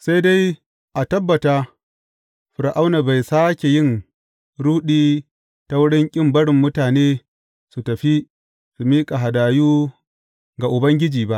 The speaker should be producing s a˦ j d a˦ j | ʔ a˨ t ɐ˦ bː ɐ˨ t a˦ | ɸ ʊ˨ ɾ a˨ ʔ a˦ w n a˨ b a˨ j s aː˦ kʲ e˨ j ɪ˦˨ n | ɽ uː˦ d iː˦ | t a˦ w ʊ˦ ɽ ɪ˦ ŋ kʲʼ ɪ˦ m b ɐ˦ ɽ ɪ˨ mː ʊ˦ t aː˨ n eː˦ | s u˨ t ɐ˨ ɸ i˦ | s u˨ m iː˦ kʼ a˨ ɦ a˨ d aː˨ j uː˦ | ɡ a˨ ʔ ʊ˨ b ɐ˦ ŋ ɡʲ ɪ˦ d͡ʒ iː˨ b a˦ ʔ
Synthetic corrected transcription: s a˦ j d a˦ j | ʔ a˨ t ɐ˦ bː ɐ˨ t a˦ | ɸ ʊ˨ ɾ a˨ ʔ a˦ w n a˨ b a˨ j s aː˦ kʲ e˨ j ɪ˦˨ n | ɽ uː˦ ɗ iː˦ | t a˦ w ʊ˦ ɽ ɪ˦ ŋ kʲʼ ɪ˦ m b ɐ˦ ɽ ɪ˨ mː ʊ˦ t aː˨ n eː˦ | s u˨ t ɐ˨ ɸ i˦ | s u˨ m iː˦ kʼ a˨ ɦ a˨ d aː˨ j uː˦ | ɡ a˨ ʔ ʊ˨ b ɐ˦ ŋ ɡʲ ɪ˦ d͡ʒ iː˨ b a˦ ʔ